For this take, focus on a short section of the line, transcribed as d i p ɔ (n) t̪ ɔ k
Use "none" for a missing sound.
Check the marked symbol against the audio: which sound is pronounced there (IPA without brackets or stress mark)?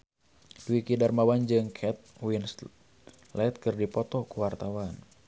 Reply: none